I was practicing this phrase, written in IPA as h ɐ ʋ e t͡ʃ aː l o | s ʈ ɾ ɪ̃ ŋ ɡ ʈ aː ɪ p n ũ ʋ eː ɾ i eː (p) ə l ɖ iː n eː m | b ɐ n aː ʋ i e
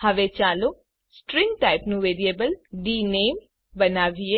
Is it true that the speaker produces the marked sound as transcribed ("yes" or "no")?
no